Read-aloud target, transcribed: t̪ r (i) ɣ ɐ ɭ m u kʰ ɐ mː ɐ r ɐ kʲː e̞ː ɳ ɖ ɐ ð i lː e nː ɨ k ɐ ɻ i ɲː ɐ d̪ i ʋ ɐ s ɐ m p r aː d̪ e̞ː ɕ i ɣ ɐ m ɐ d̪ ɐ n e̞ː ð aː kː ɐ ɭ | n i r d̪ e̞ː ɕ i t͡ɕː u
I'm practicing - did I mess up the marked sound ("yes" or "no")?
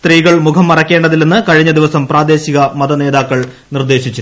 yes